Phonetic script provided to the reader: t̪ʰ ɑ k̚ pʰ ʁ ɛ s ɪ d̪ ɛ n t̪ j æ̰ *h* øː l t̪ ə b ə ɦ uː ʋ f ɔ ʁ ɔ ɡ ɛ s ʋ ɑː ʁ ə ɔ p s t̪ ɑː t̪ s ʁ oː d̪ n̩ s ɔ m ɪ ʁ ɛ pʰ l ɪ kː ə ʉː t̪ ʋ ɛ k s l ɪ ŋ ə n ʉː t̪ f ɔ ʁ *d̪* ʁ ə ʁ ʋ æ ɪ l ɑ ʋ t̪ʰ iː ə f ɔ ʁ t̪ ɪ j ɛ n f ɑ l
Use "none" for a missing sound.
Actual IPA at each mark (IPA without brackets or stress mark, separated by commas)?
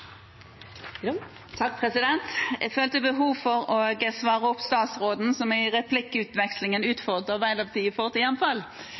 f, d̪